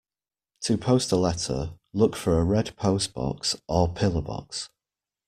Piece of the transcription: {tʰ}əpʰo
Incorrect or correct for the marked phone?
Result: correct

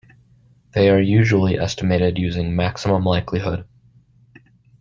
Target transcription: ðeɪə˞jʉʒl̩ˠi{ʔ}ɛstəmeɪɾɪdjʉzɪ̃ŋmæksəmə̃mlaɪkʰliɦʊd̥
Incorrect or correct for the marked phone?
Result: correct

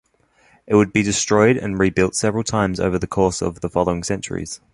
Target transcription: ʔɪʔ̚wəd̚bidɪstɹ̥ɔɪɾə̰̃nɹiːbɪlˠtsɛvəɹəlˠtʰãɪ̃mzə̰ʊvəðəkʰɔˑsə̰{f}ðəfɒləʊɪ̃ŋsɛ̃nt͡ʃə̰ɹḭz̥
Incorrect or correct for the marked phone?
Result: incorrect: v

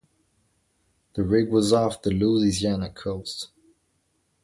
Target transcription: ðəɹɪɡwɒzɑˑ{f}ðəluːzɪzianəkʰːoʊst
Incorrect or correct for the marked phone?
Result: correct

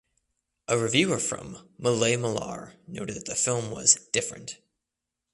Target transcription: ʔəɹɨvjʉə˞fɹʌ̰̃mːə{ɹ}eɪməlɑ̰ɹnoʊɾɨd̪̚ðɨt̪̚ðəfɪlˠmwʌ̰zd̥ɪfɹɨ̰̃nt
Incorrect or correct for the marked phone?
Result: incorrect: l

